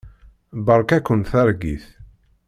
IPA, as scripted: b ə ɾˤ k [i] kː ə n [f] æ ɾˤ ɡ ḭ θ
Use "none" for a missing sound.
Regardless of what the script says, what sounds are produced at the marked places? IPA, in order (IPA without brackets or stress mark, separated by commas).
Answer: æ, θ